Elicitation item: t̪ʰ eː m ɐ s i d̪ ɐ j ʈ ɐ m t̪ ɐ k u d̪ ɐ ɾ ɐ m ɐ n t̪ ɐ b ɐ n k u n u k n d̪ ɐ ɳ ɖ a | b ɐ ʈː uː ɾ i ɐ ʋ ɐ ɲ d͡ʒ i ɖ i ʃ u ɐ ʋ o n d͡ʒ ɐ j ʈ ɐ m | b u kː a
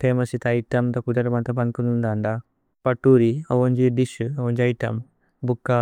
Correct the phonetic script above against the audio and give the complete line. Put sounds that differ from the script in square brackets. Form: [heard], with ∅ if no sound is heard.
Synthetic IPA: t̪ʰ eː m ɐ s i [t̪] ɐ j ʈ ɐ m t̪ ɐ k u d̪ ɐ ɾ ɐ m ɐ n t̪ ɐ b ɐ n k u n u [∅] n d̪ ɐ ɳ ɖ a | [p] ɐ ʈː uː ɾ i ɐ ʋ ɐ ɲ d͡ʒ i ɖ i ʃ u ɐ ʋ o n d͡ʒ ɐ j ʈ ɐ m | b u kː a